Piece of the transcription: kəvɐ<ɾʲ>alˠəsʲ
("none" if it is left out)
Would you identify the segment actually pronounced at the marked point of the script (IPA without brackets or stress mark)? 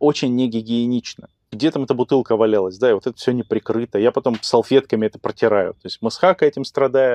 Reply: lʲ